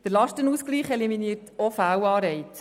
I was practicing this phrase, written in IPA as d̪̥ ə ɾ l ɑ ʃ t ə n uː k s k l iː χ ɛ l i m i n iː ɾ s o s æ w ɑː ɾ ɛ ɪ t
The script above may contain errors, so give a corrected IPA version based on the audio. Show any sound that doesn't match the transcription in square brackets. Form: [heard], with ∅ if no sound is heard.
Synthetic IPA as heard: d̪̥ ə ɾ l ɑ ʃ t ə n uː [∅] s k l iː χ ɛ l i m i n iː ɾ [t] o [f] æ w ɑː ɾ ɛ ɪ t